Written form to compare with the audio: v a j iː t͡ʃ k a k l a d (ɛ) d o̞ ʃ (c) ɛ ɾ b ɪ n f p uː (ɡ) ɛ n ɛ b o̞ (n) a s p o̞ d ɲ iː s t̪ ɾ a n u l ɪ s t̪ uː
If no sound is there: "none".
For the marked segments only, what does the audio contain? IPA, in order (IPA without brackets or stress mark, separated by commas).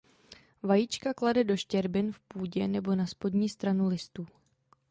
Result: ɛ, c, ɟ, n